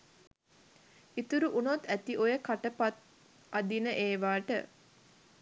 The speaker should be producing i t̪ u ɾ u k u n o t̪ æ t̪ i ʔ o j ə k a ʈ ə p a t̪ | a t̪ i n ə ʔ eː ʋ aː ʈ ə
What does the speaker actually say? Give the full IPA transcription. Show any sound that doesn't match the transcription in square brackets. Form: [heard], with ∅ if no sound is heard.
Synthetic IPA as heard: i t̪ u ɾ u [ʔ] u n o t̪ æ t̪ i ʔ o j ə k a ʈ ə p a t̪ | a [d̪] i n ə ʔ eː ʋ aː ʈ ə